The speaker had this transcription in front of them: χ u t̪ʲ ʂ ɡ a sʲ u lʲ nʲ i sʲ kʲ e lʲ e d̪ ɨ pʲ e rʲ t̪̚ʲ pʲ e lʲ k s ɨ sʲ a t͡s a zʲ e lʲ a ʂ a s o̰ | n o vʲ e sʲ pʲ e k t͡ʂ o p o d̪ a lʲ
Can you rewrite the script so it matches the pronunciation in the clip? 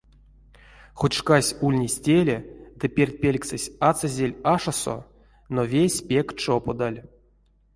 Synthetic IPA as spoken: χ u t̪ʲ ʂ k a sʲ u lʲ nʲ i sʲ tʲ e lʲ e d̪ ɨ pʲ e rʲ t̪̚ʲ pʲ e lʲ k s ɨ sʲ a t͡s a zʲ e lʲ a ʂ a s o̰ | n o vʲ e sʲ pʲ e k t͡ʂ o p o d̪ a lʲ